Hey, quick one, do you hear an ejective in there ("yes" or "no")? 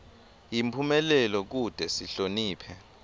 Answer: no